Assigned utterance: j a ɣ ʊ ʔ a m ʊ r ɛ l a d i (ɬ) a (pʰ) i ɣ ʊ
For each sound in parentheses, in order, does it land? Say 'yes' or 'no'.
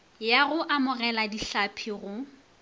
yes, yes

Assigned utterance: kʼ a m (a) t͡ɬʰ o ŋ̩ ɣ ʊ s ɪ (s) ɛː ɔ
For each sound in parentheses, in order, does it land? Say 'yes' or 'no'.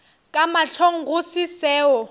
yes, yes

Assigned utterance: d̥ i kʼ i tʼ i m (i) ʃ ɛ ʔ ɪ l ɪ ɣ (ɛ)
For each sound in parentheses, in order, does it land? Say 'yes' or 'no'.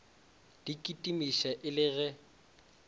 yes, yes

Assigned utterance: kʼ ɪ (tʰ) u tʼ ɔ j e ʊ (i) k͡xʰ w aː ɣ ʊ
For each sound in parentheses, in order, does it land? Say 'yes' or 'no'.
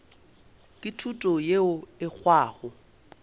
yes, no

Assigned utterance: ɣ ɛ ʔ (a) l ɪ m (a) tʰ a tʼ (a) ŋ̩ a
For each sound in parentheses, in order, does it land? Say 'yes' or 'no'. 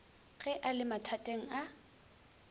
yes, yes, no

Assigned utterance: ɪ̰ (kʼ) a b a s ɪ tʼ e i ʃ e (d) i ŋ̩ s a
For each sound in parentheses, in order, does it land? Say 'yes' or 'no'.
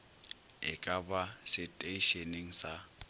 yes, no

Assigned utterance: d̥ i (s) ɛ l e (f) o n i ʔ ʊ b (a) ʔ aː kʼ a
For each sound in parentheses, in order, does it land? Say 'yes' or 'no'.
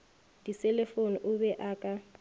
yes, yes, no

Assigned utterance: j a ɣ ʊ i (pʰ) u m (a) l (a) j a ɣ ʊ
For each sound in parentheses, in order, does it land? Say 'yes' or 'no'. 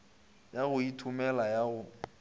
no, no, yes

